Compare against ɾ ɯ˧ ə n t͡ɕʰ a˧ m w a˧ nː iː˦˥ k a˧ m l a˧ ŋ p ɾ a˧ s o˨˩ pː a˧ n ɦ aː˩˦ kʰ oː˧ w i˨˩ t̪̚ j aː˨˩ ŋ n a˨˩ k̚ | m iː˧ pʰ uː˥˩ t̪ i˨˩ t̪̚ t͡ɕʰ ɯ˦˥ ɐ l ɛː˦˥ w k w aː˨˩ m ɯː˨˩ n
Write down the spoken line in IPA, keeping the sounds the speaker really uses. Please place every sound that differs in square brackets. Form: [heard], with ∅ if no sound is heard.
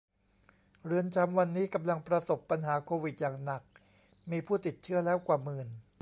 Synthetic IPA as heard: ɾ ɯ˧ ə n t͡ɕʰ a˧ m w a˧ nː iː˦˥ k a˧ m l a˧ ŋ p ɾ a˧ s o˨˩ pː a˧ n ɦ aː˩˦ kʰ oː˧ w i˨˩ t̪̚ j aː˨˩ ŋ n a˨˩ k̚ | m iː˧ pʰ uː˥˩ t̪ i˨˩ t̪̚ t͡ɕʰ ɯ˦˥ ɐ l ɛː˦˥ w k w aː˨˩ m ɯː˨˩ n